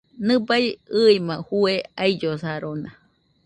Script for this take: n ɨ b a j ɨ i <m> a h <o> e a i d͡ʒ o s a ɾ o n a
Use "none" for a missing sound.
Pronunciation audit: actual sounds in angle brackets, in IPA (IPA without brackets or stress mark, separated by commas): m, u